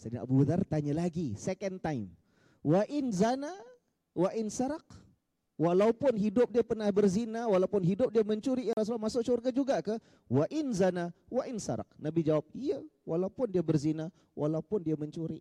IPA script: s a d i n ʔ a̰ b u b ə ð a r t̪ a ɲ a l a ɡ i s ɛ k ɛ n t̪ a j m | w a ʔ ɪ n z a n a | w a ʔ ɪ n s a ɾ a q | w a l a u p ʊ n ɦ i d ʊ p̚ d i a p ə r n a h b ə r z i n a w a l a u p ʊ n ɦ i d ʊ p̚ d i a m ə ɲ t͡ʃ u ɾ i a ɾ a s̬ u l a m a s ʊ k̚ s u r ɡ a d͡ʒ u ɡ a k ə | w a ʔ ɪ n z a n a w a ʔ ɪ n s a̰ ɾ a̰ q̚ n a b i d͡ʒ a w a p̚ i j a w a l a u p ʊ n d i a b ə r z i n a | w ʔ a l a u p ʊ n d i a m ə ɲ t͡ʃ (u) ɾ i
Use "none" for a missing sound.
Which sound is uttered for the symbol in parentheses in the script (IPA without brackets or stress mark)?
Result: u